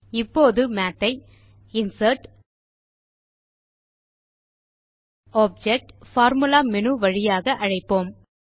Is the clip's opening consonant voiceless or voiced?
voiceless